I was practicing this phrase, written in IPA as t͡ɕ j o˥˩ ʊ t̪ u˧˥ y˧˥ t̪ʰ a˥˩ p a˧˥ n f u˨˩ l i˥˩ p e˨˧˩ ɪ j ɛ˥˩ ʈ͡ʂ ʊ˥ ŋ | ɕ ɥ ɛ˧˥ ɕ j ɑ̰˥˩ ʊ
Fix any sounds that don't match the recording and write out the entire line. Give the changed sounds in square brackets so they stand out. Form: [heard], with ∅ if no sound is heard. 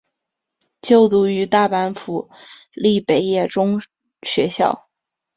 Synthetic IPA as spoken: t͡ɕ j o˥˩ ʊ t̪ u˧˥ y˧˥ [t̪] a˥˩ p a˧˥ n f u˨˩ l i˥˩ p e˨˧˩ ɪ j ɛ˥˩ ʈ͡ʂ ʊ˥ ŋ | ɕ ɥ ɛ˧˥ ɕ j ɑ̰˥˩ ʊ